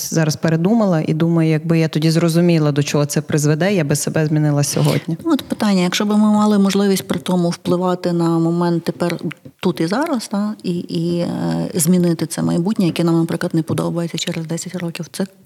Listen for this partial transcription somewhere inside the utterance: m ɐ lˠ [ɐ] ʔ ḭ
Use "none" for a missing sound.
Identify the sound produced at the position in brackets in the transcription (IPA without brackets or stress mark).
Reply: ɐ